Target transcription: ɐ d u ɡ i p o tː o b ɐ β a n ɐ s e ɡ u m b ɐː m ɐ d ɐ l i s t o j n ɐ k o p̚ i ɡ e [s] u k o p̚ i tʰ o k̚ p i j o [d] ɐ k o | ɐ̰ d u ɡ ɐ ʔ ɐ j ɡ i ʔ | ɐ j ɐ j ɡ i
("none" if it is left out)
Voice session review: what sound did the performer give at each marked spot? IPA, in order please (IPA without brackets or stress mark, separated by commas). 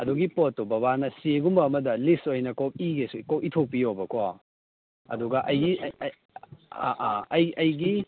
s, b